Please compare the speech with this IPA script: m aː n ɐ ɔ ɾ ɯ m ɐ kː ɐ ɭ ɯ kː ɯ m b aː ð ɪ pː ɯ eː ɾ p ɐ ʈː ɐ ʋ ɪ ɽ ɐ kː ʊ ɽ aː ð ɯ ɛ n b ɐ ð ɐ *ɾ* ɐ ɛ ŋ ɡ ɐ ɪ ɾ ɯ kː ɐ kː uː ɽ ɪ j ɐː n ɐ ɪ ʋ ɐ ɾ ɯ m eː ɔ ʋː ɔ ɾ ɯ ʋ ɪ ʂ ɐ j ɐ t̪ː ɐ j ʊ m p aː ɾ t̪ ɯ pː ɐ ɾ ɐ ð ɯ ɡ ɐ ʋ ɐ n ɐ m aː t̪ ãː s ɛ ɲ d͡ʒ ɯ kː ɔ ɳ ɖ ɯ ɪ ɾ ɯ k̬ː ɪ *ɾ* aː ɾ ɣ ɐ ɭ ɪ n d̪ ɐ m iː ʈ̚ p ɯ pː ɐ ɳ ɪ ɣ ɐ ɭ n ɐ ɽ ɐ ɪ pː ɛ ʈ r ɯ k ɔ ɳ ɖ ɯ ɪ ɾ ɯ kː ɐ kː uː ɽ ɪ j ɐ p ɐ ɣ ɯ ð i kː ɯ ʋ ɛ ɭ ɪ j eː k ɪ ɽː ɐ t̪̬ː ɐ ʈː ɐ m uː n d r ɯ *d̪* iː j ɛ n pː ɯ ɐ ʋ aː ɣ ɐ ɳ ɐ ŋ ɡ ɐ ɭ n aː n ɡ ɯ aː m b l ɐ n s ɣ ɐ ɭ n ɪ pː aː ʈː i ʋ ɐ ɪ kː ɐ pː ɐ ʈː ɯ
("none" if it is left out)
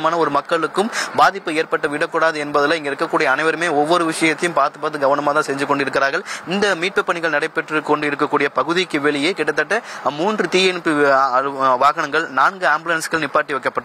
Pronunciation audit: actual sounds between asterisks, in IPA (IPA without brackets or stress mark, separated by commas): l, ɾ, t̪